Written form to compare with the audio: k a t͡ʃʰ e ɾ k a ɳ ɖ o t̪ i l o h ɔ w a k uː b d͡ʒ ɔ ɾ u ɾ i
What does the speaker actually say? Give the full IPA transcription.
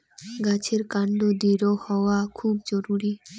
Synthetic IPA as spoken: ɡ a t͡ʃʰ e ɾ k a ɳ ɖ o d̪ i ɾ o h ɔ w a kʰ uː b d͡ʒ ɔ ɾ u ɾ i